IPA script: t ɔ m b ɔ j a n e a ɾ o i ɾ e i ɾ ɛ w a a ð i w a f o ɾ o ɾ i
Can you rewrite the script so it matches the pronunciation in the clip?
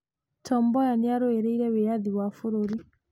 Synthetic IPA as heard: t ɔ m b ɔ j a n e a ɾ o e ɾ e i ɾ ɛ w e a ð i w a f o ɾ o ɾ i